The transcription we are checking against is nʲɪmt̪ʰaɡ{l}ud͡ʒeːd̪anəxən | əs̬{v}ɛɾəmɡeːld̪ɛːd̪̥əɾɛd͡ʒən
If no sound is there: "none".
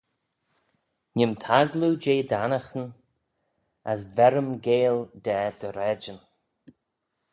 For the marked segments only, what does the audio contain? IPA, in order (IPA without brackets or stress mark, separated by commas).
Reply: l, v